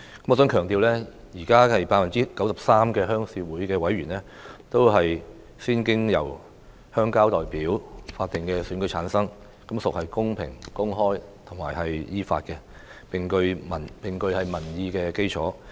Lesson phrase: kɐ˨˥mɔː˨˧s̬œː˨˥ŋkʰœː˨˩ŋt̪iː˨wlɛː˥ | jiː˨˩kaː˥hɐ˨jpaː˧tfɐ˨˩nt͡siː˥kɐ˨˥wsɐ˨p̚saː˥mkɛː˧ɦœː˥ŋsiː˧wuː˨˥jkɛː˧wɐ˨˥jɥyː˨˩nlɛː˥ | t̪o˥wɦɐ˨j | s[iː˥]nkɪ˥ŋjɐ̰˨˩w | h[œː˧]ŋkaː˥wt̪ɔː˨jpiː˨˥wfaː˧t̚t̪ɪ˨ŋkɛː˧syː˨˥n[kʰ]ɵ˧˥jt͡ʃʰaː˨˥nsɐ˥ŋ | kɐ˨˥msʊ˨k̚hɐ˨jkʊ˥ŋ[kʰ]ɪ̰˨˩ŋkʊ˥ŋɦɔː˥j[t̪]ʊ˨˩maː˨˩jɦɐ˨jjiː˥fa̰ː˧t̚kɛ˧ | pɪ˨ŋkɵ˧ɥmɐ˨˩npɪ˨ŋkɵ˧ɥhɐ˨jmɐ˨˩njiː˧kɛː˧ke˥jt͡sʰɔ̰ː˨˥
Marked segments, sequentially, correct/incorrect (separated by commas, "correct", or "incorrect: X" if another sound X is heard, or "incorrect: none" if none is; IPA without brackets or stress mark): correct, incorrect: œː˥, incorrect: k, incorrect: pʰ, incorrect: t̪ʰ